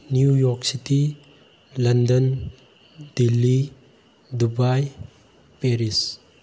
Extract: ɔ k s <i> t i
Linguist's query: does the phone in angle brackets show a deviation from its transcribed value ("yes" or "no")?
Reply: no